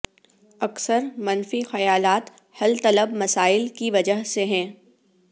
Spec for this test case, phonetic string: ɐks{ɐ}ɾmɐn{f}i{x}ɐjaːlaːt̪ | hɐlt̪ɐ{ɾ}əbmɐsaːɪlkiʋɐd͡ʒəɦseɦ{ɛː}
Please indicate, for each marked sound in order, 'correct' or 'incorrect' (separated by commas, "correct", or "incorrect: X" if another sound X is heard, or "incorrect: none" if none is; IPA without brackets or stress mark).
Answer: incorrect: ə, correct, correct, incorrect: l, incorrect: ɛ̃ː